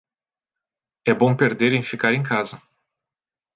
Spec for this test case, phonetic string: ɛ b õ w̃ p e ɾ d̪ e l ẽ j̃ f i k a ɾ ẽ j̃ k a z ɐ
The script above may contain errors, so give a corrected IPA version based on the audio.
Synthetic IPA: ɛ b õ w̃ p e ɾ d̪ e ɾ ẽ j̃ f i k a ɾ ẽ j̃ k a z ɐ